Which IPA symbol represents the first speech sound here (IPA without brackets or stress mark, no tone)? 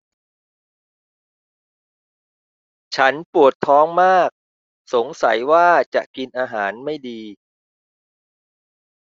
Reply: t͡ɕʰ